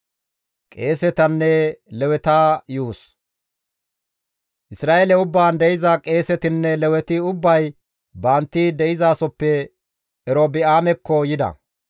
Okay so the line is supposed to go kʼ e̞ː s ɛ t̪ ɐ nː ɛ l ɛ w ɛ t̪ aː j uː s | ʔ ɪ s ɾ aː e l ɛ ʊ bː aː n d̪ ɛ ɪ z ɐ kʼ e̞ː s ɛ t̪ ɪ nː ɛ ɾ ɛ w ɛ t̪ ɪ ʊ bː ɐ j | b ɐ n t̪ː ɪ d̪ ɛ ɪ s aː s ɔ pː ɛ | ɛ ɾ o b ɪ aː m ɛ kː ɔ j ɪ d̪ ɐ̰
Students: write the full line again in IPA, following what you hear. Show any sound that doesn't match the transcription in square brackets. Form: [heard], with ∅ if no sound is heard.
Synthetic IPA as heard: kʼ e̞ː s ɛ t̪ ɐ nː ɛ l ɛ w ɛ t̪ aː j uː s | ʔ ɪ s ɾ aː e l ɛ ʊ bː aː n d̪ ɛ ɪ z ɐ kʼ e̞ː s ɛ t̪ ɪ nː ɛ [l] ɛ w ɛ t̪ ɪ ʊ bː ɐ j | b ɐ n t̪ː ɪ d̪ ɛ ɪ [z] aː s ɔ pː ɛ | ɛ ɾ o b ɪ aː m ɛ kː ɔ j ɪ d̪ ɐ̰